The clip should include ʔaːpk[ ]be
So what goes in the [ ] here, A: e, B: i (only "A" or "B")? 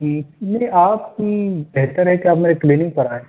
B